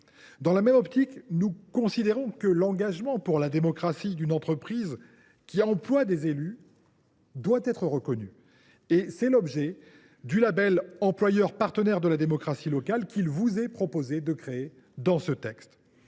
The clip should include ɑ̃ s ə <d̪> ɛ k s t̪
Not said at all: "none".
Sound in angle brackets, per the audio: t̪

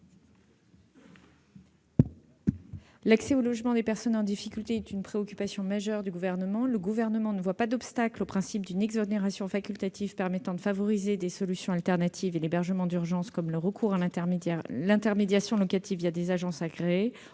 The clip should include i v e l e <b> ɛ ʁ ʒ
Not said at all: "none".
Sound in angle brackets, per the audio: b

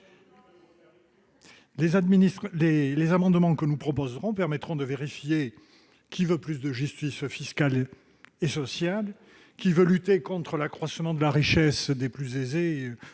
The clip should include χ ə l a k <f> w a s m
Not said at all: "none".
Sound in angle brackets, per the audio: χ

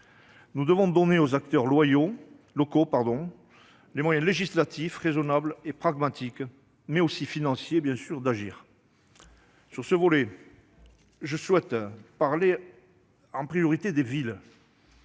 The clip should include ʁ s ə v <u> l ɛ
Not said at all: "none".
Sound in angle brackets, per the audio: ɔ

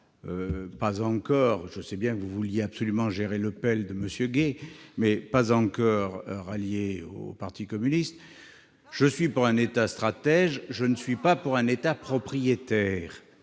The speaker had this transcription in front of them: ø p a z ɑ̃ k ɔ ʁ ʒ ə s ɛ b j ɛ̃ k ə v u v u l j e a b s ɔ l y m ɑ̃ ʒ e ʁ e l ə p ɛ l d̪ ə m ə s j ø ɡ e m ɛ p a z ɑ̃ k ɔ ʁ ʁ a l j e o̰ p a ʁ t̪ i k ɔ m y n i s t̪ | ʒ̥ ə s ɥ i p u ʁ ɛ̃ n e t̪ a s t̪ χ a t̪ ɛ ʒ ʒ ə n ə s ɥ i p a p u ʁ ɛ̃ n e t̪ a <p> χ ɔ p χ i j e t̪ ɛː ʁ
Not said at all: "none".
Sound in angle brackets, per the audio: p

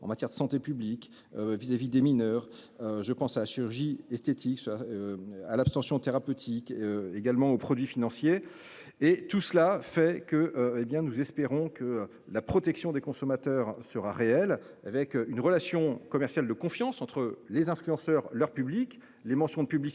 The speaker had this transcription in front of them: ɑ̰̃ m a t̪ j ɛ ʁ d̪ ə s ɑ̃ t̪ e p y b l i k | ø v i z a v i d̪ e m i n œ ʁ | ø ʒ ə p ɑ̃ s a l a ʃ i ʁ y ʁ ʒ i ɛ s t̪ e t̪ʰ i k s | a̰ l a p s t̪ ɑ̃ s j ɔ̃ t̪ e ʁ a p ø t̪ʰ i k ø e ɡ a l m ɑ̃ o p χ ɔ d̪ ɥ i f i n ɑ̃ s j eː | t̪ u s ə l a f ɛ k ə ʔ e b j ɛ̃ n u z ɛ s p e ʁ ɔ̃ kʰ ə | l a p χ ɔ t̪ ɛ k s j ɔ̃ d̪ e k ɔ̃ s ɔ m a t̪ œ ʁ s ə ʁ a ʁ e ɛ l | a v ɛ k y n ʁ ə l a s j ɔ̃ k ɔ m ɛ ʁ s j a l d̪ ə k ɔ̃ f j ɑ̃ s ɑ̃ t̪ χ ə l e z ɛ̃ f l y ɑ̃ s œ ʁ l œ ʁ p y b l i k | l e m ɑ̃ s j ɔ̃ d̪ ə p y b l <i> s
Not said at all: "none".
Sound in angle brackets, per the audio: i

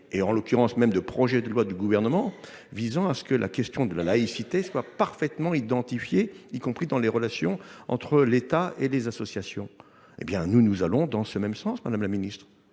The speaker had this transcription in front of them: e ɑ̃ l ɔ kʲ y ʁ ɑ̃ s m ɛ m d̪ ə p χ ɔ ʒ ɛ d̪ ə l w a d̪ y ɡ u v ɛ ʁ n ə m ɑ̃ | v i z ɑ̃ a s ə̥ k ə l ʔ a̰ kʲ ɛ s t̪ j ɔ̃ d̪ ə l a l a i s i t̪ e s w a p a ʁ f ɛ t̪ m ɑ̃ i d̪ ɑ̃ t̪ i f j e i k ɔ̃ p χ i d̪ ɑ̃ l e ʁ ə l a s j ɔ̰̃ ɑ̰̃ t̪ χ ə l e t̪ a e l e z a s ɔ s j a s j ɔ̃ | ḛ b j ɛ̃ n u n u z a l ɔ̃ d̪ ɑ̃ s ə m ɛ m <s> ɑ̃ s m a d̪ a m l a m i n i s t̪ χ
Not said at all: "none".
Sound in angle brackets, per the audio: s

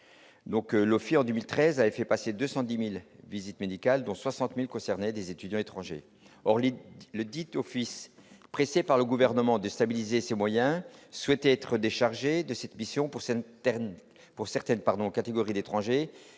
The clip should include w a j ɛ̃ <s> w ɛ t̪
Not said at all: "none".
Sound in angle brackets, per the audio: s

